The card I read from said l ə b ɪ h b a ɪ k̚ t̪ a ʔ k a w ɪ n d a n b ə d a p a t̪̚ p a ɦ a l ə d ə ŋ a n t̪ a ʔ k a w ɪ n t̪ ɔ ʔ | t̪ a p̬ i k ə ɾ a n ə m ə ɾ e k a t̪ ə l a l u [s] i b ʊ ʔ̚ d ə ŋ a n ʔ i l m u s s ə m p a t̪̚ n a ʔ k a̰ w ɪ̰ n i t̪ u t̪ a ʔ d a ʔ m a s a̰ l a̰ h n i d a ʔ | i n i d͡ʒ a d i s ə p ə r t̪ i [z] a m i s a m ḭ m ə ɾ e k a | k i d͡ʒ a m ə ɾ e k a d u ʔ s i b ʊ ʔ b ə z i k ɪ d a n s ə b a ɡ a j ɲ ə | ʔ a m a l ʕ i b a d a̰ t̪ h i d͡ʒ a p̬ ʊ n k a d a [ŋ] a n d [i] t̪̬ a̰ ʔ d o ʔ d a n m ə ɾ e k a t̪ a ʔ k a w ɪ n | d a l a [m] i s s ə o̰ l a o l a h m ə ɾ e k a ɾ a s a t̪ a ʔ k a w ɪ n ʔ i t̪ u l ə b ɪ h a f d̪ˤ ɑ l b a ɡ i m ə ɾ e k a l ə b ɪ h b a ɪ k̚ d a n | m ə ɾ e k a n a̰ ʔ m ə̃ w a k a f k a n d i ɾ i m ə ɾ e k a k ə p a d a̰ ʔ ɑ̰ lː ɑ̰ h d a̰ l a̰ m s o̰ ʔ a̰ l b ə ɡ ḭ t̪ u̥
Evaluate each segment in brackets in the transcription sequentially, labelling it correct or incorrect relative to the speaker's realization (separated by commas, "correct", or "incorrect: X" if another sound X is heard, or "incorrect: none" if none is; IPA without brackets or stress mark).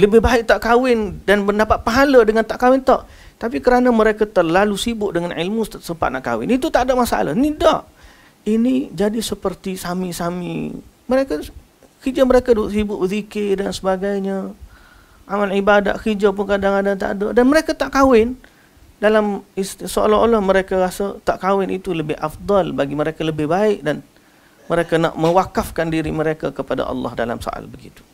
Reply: correct, incorrect: s, correct, incorrect: a, correct